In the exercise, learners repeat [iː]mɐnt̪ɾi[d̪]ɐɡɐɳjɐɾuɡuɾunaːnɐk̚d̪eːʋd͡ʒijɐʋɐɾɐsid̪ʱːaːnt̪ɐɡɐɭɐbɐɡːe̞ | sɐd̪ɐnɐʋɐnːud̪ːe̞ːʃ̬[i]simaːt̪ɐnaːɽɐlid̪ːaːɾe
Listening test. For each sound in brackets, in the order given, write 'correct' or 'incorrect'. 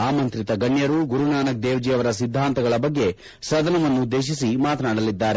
incorrect: aː, incorrect: t̪, correct

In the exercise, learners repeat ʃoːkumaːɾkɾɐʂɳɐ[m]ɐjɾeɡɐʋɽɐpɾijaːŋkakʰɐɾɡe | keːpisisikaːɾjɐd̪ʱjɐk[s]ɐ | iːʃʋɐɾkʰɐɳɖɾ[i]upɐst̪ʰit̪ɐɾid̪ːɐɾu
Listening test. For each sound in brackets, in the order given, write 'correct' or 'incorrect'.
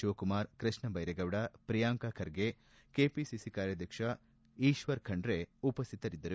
incorrect: b, incorrect: ʂ, incorrect: e

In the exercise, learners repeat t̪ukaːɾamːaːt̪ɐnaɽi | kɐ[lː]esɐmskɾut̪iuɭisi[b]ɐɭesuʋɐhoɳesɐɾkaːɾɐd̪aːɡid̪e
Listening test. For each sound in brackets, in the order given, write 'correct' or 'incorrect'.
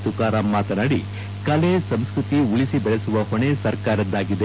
incorrect: l, correct

